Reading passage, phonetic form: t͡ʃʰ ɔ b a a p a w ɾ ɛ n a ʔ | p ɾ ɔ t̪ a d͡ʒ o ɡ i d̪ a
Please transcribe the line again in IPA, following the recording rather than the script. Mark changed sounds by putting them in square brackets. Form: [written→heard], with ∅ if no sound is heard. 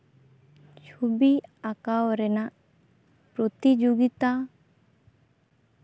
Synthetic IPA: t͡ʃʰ [ɔ→u] b [a→i] a [p→k] a w ɾ ɛ n a ʔ | p ɾ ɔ t̪ [a→i] d͡ʒ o ɡ i [d̪→t̪] a